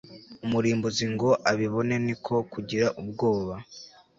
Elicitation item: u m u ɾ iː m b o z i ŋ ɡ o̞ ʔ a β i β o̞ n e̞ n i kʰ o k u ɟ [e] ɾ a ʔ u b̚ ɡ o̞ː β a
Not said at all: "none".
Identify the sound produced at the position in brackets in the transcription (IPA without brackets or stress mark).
i